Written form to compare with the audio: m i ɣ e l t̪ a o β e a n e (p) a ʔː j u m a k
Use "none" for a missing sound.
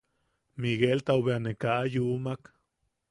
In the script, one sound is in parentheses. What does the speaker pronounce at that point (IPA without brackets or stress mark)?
k